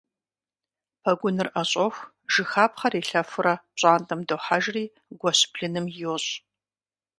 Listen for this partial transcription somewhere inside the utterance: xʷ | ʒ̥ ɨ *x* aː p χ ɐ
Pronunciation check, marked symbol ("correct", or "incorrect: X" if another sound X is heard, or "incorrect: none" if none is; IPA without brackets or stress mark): correct